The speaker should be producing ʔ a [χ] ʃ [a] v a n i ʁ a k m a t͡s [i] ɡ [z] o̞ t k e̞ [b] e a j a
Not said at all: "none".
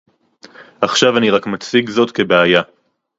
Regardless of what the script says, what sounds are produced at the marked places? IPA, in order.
χ, a, i, z, b

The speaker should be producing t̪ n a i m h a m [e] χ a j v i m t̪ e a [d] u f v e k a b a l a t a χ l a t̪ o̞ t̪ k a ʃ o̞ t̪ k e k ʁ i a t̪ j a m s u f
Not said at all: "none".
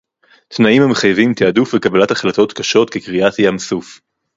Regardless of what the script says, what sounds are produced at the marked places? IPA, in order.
e, d

